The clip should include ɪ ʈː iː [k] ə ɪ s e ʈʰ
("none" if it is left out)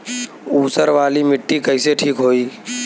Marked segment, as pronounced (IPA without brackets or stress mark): k